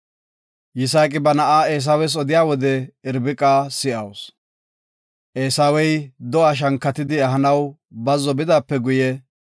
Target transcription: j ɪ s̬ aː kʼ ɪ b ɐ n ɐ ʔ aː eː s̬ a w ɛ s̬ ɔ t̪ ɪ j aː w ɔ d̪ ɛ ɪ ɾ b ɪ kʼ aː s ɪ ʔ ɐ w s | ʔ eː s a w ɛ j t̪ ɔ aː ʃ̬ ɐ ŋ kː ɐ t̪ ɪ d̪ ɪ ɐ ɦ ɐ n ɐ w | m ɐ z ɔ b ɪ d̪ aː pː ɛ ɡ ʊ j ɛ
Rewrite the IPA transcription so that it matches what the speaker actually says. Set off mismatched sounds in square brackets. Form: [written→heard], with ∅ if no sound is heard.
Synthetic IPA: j ɪ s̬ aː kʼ ɪ b ɐ n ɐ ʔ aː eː s̬ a w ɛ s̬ ɔ [t̪→d̪] ɪ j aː w ɔ d̪ ɛ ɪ ɾ b ɪ kʼ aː s ɪ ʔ ɐ w s | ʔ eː s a w ɛ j [t̪→d̪] ɔ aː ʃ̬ ɐ ŋ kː ɐ t̪ ɪ d̪ ɪ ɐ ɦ ɐ n ɐ w | [m→b] ɐ z ɔ b ɪ d̪ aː pː ɛ ɡ ʊ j ɛ